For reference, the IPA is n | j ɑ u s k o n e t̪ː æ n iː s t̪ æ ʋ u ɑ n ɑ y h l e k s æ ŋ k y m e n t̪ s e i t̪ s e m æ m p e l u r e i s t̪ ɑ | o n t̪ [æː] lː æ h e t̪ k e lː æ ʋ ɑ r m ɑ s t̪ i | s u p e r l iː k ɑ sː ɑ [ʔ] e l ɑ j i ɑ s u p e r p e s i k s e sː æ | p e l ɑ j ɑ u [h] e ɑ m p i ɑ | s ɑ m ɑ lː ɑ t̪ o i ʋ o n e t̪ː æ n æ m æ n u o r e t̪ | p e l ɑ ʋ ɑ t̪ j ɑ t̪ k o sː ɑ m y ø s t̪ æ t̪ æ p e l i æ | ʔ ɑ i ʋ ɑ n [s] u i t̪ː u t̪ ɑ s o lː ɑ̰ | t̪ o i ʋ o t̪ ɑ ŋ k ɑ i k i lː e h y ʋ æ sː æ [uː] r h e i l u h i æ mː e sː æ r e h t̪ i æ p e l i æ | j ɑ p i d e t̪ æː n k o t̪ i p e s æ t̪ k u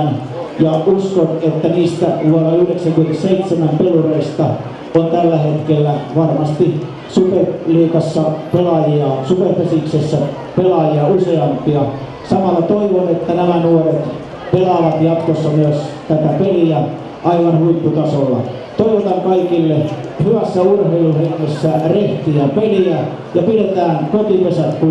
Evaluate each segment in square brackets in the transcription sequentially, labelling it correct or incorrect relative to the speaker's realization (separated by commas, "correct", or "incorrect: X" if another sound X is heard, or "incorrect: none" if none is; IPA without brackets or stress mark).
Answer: incorrect: æ, incorrect: p, incorrect: s, incorrect: h, incorrect: u